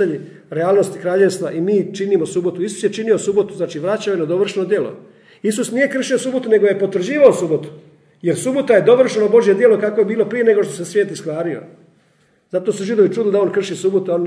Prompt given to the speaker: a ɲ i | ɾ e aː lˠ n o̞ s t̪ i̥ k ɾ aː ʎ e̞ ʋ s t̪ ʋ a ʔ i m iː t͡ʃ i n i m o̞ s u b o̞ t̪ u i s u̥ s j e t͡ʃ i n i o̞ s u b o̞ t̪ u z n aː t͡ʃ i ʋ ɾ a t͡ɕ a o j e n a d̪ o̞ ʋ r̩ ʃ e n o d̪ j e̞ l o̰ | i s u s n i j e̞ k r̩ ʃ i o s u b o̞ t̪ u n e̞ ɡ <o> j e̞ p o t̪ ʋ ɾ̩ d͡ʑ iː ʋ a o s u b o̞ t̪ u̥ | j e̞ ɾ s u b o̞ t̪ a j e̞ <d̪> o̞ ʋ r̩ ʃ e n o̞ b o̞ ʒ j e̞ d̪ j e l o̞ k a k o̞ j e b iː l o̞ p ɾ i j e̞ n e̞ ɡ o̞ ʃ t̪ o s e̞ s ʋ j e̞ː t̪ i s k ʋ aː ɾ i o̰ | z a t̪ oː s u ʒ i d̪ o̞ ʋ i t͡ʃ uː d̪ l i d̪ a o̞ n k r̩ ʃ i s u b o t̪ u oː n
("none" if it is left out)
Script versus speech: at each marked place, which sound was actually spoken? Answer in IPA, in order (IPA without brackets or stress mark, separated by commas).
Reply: o, d̪